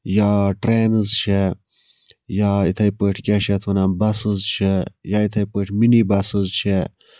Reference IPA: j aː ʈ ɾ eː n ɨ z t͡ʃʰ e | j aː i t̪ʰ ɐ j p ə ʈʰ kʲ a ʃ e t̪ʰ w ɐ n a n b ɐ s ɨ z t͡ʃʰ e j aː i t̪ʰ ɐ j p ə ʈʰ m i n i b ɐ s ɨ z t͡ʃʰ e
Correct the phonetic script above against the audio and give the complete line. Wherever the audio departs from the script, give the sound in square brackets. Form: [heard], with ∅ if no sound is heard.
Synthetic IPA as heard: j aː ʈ ɾ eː n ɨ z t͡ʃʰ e | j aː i t̪ʰ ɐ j p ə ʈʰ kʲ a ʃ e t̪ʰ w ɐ n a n b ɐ s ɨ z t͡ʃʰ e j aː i t̪ʰ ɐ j p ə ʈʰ m i n i b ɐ s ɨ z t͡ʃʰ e